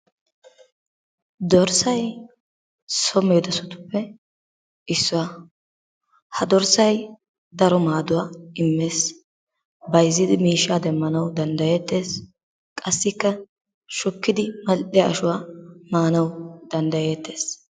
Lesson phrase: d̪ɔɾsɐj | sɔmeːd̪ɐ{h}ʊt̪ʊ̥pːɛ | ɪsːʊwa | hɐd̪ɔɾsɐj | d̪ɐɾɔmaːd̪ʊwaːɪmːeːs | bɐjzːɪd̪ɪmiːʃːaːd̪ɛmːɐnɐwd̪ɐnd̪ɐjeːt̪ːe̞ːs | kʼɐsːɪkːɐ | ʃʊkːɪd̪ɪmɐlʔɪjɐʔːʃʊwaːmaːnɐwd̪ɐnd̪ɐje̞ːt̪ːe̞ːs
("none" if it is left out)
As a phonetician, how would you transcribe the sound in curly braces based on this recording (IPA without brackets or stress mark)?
s